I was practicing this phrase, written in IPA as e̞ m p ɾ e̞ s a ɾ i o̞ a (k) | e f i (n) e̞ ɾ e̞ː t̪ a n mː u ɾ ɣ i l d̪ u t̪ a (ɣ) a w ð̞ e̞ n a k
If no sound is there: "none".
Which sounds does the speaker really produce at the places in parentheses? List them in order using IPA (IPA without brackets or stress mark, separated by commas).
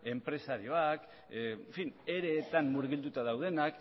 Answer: k, n, ð